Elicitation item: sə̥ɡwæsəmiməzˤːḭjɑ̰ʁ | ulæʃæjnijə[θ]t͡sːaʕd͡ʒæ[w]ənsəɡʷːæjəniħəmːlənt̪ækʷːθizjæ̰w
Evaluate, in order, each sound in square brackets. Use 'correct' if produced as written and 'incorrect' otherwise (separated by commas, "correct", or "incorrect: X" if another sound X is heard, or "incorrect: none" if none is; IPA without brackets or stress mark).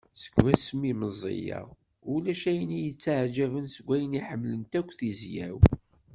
incorrect: none, incorrect: v